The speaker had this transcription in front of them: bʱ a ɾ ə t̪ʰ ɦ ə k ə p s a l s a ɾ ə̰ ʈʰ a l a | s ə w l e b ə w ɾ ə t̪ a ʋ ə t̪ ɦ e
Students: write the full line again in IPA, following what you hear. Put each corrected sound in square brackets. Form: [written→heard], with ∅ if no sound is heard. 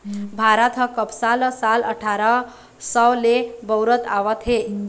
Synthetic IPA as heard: bʱ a ɾ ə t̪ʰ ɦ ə k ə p s a l s a [ɾ→l] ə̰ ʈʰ a [l→ɾ] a | s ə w l e b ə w ɾ ə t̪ a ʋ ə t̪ ɦ e